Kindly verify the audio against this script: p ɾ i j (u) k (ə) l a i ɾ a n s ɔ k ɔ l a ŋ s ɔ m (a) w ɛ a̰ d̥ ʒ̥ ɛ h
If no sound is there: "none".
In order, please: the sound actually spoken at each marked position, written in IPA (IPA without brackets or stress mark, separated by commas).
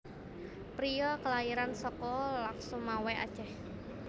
ɔ, ə, a